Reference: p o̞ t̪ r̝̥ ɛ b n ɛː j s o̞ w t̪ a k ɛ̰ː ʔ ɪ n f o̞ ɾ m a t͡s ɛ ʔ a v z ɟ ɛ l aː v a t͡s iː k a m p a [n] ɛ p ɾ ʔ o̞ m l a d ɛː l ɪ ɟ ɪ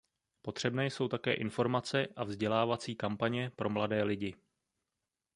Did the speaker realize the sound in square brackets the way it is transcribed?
no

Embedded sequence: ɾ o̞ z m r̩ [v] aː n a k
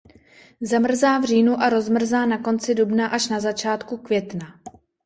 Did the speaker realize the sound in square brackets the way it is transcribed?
no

